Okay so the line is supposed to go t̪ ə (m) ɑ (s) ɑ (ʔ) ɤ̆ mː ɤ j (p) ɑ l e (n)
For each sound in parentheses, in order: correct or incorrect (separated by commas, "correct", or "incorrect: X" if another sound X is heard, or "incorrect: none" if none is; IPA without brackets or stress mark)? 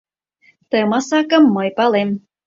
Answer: correct, correct, incorrect: k, correct, incorrect: m